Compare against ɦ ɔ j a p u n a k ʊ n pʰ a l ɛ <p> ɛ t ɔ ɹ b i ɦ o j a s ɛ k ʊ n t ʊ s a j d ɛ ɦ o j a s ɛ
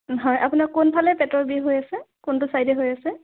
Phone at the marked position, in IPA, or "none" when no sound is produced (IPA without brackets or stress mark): p